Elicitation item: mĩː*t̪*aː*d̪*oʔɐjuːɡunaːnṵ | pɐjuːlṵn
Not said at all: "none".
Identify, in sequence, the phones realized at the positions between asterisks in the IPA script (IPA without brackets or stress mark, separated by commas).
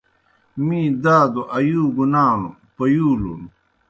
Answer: d̪, d̪